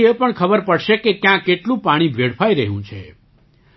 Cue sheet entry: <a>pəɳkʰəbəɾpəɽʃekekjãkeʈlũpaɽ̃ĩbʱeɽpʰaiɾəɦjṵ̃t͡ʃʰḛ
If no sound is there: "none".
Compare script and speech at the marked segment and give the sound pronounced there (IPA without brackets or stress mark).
e